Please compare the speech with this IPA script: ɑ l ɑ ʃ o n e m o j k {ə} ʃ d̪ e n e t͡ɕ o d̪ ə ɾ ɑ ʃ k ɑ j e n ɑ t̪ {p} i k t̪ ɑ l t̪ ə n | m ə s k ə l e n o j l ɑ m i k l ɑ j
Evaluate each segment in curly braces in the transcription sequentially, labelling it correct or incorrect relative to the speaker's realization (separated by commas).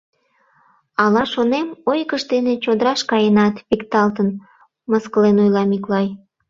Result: correct, correct